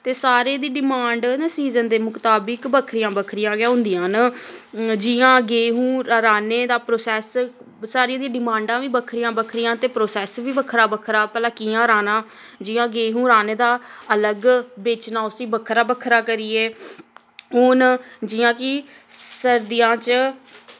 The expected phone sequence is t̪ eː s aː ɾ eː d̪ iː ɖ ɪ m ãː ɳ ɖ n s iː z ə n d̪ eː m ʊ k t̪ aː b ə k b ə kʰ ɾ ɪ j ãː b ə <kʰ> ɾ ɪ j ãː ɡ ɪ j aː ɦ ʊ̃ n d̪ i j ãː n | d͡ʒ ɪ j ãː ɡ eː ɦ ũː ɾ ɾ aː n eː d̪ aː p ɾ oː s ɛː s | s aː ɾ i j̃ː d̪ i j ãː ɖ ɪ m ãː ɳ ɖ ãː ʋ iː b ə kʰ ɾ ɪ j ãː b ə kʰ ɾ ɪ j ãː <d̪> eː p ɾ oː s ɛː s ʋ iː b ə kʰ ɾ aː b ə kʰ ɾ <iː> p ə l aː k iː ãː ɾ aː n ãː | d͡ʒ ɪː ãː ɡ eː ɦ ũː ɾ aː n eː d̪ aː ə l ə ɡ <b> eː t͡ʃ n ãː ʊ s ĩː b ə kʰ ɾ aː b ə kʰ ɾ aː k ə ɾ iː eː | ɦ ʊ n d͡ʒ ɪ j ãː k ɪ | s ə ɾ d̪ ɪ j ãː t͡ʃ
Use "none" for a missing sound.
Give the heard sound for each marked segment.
kʰ, t̪, aː, b

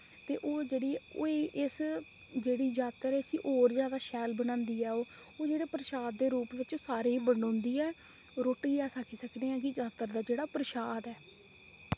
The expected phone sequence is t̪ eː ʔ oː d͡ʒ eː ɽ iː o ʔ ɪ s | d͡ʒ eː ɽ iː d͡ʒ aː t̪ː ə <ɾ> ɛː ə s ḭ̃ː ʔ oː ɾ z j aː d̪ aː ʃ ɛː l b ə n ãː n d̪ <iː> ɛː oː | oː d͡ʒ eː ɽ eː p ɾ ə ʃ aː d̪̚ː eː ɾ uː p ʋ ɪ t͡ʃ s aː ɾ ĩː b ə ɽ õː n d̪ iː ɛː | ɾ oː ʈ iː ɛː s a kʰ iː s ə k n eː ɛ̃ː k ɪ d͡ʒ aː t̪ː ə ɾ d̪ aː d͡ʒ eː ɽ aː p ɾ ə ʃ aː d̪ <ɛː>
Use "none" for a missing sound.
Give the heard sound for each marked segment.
ɾ, iː, ɛː

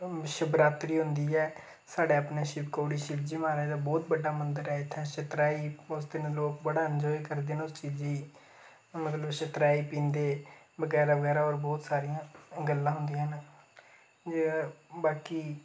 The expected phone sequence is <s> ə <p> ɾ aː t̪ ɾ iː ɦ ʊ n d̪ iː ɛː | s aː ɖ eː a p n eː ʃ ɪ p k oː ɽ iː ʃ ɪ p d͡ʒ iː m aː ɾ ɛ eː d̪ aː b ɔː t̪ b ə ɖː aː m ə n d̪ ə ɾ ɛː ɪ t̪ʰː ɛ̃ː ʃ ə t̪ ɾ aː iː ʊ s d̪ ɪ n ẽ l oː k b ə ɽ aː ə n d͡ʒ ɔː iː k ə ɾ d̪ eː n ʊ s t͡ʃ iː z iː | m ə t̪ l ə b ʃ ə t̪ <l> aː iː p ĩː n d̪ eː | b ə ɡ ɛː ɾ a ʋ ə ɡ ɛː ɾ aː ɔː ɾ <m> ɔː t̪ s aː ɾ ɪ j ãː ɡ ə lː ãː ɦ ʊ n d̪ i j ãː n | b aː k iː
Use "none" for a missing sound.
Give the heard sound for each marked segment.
ʃ, b, ɾ, b

